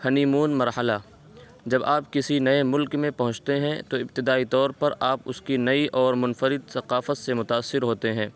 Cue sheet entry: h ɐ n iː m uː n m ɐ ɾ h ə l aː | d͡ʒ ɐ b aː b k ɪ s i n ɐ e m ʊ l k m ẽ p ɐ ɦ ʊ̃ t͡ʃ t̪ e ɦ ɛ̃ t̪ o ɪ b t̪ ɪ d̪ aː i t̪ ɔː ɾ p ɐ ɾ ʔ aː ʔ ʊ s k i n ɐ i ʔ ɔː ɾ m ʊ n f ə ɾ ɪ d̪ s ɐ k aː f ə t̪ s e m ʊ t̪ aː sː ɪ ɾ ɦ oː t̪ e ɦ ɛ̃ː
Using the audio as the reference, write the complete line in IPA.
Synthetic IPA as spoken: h ɐ n iː m uː n m ɐ ɾ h ə l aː | d͡ʒ ɐ b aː p k ɪ s i n ɐ e m ʊ l k m ẽ p ɐ ɦ ʊ̃ t͡ʃ t̪ e ɦ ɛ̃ t̪ o ɪ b t̪ ɪ d̪ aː i t̪ ɔː ɾ p ɐ ɾ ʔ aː p ʊ s k i n ɐ i ʔ ɔː ɾ m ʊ n f ə ɾ ɪ d̪ s ɐ q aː f ə t̪ s e m ʊ t̪ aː sː ɪ ɾ ɦ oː t̪ e ɦ ɛ̃ː